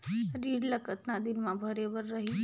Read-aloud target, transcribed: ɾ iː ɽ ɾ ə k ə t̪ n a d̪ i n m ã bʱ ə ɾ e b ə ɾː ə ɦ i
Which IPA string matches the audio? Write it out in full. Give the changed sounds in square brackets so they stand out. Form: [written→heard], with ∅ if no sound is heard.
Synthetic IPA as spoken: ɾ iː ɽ [ɾ→l] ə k ə t̪ n a d̪ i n m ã bʱ ə ɾ e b ə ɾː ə ɦ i